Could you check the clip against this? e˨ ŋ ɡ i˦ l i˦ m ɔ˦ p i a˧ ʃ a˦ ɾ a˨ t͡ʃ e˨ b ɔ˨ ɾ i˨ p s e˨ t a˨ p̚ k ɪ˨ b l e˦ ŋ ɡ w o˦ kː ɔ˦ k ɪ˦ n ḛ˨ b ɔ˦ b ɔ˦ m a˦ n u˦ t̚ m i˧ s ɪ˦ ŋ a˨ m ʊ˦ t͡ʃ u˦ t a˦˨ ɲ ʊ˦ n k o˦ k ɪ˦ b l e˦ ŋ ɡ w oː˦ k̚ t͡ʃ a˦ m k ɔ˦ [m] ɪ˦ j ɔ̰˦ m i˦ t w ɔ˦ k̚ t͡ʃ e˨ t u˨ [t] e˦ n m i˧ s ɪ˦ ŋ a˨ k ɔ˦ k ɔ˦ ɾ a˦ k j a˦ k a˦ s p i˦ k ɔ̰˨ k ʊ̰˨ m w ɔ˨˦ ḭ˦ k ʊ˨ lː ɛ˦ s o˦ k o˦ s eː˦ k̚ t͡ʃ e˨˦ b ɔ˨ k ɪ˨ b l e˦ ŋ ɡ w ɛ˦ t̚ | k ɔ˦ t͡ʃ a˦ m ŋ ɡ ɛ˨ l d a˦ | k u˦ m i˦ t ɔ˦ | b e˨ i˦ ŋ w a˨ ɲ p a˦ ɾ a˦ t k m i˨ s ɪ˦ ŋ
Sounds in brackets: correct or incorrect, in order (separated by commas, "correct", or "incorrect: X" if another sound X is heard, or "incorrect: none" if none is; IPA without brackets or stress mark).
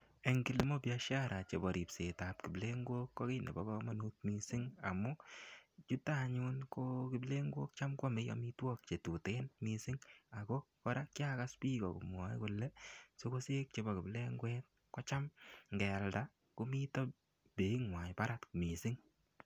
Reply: correct, correct